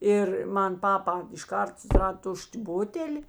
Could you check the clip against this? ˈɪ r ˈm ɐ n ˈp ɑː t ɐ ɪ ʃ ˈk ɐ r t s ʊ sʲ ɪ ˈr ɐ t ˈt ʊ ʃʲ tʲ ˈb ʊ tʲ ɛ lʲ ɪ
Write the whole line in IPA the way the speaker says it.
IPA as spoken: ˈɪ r ˈm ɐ n ˈp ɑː p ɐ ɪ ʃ ˈk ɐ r t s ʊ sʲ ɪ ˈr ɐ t ˈt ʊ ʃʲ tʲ ˈb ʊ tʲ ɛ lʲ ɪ